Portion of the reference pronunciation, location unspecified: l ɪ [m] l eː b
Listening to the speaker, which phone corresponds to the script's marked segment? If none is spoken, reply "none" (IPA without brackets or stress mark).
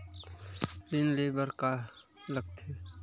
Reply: n